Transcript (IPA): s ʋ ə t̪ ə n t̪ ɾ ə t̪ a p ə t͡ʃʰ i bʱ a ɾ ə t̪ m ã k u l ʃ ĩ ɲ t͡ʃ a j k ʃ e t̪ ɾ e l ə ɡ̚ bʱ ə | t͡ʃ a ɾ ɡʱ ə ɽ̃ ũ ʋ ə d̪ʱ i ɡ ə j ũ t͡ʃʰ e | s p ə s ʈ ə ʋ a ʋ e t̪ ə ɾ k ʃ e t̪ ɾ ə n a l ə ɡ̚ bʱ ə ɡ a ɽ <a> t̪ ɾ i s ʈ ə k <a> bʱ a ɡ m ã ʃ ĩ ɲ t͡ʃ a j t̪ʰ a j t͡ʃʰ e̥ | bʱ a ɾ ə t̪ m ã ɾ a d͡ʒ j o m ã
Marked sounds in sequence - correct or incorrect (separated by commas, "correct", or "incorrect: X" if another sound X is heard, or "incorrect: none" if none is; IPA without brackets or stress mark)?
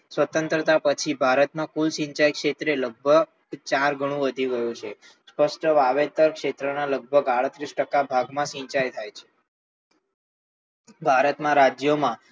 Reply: incorrect: ə, correct